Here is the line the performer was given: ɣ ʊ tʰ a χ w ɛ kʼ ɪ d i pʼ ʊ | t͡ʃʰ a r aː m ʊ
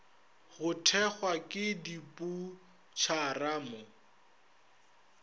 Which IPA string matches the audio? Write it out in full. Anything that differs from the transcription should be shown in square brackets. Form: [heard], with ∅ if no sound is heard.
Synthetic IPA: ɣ ʊ tʰ [ɛ] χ w [a] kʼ ɪ d i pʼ [u] | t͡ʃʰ a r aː m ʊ